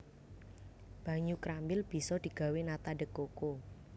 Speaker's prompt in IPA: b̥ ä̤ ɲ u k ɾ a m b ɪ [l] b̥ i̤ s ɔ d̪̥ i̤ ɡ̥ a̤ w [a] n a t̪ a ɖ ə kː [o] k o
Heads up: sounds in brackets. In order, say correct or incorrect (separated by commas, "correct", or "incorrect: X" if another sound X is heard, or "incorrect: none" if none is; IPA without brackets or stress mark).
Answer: correct, incorrect: e, correct